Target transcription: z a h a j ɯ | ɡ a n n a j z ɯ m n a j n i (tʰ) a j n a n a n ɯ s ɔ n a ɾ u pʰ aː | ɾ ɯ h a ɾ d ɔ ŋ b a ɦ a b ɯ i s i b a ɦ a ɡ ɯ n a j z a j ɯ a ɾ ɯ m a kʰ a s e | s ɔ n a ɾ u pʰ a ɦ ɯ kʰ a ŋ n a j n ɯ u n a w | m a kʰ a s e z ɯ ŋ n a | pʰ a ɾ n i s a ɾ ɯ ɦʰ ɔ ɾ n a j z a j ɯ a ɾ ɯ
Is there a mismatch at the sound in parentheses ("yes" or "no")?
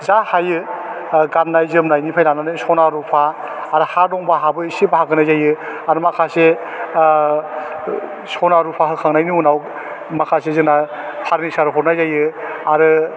yes